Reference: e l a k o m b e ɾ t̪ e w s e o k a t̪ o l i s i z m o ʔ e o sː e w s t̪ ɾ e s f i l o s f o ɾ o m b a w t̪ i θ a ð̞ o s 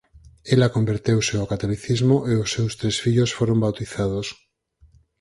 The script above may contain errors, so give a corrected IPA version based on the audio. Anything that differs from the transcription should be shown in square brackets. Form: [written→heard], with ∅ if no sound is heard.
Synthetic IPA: e l a k o m b e ɾ t̪ e w s e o k a t̪ o l i [s→θ] i z m o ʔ e o sː e w s t̪ ɾ e s f i [l→ʎ] o s f o ɾ o m b a w t̪ i θ a ð̞ o s